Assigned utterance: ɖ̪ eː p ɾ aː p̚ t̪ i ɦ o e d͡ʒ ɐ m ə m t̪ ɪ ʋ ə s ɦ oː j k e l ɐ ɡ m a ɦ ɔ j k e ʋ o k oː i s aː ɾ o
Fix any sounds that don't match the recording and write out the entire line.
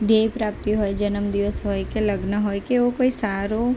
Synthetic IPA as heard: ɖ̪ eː p ɾ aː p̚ t̪ i ɦ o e d͡ʒ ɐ n ə m d̪ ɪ ʋ ə s ɦ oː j k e l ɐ ɡ n a ɦ o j k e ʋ o k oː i s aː ɾ o